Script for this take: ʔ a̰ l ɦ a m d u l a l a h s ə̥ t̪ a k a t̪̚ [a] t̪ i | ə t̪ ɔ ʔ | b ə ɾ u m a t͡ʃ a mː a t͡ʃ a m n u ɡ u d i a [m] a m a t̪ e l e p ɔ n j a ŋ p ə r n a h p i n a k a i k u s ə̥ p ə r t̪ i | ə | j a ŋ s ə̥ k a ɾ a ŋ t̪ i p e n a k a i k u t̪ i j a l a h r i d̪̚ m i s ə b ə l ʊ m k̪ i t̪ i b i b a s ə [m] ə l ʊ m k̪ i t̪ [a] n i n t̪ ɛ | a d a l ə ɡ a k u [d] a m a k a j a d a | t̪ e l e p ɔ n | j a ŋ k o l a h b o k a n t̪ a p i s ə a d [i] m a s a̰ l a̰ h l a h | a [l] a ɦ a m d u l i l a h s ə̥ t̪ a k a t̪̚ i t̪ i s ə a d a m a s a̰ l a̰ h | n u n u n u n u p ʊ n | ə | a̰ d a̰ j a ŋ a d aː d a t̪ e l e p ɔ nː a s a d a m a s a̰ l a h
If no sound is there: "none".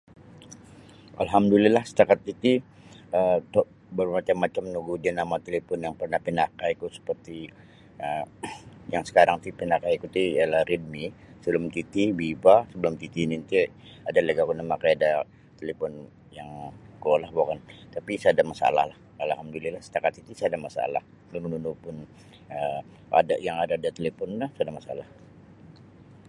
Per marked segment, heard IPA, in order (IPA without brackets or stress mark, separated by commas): i, n, b, i, n, a, l